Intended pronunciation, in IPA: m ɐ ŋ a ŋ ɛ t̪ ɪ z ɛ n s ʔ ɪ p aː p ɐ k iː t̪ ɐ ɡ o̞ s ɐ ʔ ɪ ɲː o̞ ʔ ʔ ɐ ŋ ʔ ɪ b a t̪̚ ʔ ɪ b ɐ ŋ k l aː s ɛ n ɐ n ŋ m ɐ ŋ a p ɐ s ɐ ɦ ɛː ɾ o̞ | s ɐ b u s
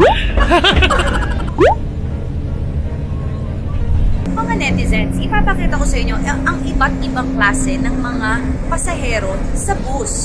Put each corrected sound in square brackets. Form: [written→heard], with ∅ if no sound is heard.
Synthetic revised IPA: m ɐ ŋ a [ŋ→n] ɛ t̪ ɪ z ɛ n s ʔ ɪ p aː p ɐ k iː t̪ ɐ [ɡ→k] o̞ s ɐ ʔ ɪ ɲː o̞ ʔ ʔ ɐ ŋ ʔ ɪ b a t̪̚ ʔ ɪ b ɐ ŋ k l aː s ɛ n ɐ [n→∅] ŋ m ɐ ŋ a p ɐ s ɐ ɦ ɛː ɾ o̞ | s ɐ b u s

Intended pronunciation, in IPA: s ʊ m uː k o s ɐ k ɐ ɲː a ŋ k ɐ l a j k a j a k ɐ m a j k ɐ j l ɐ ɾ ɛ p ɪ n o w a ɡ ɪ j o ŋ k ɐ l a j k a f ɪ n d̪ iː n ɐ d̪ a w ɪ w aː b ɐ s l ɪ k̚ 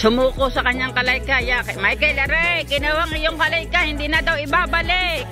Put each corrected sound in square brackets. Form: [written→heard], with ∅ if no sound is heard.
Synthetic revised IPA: s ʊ m uː k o s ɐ k ɐ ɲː a ŋ k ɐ l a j k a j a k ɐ m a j k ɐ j l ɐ ɾ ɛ [p→k] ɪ n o w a [ɡ→ŋ] ɪ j o ŋ k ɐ l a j k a [f→h] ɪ n d̪ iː n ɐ d̪ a w ɪ [w→b] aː b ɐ [s→∅] l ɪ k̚

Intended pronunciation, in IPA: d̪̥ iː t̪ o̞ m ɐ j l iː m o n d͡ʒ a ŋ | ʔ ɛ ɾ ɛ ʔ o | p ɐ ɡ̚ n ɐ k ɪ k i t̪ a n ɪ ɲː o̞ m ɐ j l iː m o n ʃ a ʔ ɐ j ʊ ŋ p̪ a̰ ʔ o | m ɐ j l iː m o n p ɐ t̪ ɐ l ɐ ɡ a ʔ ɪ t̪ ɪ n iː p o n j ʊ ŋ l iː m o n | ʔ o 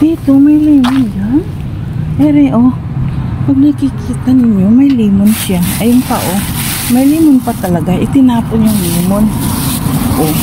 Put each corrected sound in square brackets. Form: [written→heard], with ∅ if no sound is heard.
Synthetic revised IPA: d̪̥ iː t̪ o̞ m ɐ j l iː m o n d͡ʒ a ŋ | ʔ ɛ ɾ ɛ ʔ o | p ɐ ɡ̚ n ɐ k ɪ k [i→iː] t̪ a n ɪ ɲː o̞ m ɐ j l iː m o n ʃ a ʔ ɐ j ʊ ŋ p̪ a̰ ʔ o | m ɐ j l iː m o n p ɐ t̪ ɐ l ɐ ɡ a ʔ ɪ t̪ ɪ n [iː→aː] p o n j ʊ ŋ l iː m o n | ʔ o

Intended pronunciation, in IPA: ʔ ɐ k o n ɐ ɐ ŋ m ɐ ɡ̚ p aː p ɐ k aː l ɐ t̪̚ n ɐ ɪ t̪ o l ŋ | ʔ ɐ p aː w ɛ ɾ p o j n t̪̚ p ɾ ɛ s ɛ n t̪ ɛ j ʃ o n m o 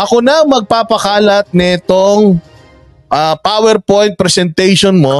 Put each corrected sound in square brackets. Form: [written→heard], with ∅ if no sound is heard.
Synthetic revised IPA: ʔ ɐ k o n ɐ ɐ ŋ m ɐ ɡ̚ p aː p ɐ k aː l ɐ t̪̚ n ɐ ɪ t̪ o [l→∅] ŋ | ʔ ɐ p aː w ɛ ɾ p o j n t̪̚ p ɾ ɛ s ɛ n t̪ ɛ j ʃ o n m o

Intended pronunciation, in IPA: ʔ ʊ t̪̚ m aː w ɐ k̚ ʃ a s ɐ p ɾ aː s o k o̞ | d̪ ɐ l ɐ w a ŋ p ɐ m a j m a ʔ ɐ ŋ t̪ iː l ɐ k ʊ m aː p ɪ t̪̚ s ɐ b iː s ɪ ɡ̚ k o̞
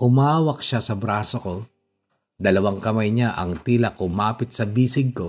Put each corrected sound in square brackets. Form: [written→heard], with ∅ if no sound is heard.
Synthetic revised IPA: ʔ ʊ [t̪̚→∅] m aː w ɐ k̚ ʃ a s ɐ [p→b] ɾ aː s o k o̞ | d̪ ɐ l ɐ w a ŋ [p→k] ɐ m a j [m→ɲ] a ʔ ɐ ŋ t̪ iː l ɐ k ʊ m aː p ɪ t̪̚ s ɐ b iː s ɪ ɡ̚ k o̞

